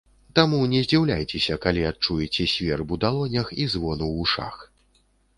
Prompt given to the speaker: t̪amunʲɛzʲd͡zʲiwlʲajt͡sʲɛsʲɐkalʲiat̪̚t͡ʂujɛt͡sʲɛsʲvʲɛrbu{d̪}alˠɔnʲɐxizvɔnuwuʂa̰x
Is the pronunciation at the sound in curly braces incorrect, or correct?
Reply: correct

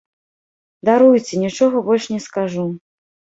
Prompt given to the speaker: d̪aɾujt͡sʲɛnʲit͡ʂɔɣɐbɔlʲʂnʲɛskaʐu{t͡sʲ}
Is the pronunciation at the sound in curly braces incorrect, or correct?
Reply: incorrect: none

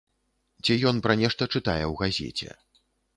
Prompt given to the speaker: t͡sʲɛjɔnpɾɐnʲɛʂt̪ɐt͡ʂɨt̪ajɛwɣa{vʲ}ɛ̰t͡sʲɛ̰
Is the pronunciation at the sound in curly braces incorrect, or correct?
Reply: incorrect: zʲ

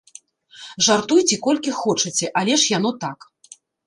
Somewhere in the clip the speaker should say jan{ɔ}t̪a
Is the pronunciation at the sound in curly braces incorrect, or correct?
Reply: correct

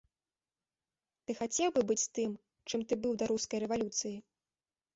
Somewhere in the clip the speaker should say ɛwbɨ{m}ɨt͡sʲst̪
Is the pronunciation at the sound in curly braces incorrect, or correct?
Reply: incorrect: b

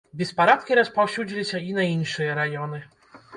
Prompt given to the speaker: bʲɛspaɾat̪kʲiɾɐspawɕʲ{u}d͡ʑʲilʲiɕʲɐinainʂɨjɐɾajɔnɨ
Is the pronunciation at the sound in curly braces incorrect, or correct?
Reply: correct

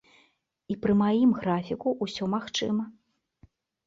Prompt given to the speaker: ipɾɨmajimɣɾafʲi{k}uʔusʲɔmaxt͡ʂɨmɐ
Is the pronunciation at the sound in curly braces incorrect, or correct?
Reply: correct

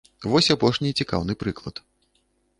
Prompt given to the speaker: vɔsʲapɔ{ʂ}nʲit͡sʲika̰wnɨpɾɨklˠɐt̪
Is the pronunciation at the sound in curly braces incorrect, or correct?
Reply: correct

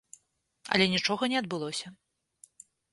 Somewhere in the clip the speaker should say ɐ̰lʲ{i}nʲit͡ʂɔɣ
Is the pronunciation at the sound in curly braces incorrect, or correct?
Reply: incorrect: ɛ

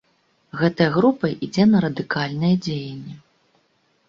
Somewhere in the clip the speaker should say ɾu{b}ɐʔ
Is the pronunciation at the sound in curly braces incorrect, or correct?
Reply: incorrect: p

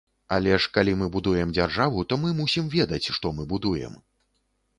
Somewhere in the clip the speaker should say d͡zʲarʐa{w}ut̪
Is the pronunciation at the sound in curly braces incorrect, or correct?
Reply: incorrect: v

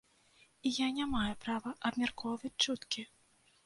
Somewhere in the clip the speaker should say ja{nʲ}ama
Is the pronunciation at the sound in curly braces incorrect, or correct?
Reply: correct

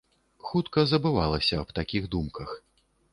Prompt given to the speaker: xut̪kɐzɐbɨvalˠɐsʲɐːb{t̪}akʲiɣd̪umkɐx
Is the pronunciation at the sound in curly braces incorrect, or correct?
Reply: correct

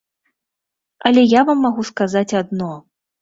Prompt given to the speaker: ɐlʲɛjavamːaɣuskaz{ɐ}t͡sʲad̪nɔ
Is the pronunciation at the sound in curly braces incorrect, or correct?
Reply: incorrect: a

